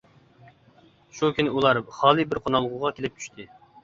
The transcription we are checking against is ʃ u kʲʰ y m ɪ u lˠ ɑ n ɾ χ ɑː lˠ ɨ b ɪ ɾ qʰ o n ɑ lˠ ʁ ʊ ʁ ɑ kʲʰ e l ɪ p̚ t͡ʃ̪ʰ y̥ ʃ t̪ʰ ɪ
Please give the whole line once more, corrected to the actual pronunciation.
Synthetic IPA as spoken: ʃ u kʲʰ y n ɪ u lˠ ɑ ɾ χ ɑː lˠ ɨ b ɪ ɾ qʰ o n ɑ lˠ ʁ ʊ ʁ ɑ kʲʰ e l ɪ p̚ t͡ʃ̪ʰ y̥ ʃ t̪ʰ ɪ